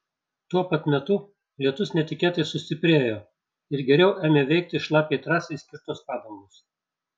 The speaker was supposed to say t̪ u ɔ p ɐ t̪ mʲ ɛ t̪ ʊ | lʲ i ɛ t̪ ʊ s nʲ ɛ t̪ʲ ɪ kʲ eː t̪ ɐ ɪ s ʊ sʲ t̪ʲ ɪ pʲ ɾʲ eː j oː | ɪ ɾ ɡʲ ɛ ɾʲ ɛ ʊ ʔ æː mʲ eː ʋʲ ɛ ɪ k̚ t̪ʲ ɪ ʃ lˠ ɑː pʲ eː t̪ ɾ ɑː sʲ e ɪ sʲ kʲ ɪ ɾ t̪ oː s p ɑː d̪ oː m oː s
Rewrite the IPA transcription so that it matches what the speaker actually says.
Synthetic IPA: t̪ u ɔ p ɐ t̪ mʲ ɛ t̪ ʊ | lʲ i ɛ t̪ ʊ s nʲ ɛ t̪ʲ ɪ kʲ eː t̪ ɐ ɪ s ʊ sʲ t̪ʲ ɪ pʲ ɾʲ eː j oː | ɪ ɾ ɡʲ ɛ ɾʲ ɛ ʊ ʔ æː mʲ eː ʋʲ ɛ ɪ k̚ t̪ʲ ɪ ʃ lˠ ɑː pʲ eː t̪ ɾ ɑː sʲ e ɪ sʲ kʲ ɪ ɾ t̪ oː s p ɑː d̪ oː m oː s